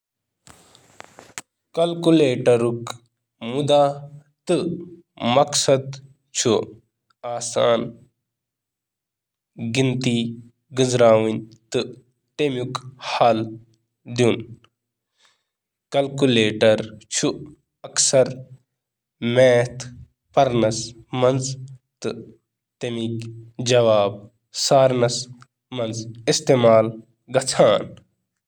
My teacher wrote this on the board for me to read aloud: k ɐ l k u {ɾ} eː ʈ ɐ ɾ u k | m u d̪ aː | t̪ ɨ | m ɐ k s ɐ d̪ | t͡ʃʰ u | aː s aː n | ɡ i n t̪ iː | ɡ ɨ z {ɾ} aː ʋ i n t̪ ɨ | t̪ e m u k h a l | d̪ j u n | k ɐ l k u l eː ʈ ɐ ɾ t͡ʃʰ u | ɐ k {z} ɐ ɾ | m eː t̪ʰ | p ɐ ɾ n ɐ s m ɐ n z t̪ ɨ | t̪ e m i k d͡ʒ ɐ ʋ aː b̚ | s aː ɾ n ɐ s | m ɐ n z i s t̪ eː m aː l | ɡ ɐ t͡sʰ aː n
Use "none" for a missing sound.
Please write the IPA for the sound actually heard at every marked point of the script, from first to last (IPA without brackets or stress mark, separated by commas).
l, ɾ, s